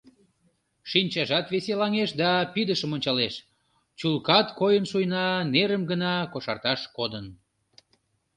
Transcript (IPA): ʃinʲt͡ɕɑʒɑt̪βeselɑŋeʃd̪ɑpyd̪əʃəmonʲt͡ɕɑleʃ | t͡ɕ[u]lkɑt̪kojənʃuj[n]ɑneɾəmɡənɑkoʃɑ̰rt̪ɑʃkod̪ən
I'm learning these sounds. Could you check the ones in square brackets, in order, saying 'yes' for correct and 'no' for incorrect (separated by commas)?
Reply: yes, yes